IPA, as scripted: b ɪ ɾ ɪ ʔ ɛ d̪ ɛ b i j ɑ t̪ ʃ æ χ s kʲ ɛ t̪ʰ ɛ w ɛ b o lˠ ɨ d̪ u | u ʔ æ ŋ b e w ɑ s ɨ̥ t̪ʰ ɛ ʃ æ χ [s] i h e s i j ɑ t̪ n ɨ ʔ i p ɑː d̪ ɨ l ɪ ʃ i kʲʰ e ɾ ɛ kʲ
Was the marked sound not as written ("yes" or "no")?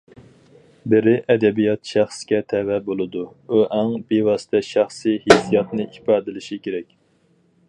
no